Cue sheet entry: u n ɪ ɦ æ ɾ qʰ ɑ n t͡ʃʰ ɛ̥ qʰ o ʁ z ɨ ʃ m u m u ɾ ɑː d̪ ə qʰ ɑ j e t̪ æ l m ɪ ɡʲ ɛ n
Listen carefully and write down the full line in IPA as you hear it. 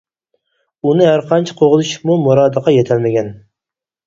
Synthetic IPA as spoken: u n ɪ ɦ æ ɾ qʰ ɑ n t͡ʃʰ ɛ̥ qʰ o ʁ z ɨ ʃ m u m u ɾ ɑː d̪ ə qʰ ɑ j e t̪ʰ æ l m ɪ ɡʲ ɛ n